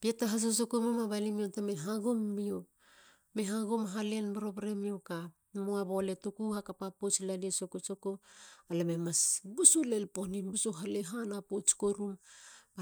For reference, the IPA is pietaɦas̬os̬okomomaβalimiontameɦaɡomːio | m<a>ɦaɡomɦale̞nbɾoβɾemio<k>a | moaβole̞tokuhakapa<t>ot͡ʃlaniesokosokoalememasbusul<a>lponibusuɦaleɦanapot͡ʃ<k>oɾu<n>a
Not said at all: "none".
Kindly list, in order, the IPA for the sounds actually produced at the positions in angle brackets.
e, k, p, e, k, m

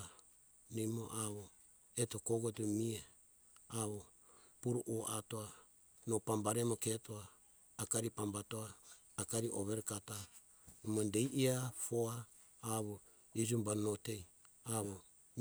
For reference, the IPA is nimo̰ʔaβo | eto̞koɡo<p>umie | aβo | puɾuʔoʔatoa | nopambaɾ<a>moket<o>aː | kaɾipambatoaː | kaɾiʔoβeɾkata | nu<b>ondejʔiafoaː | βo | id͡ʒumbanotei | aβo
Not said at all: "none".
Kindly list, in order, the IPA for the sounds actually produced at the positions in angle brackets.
t, e, o, m

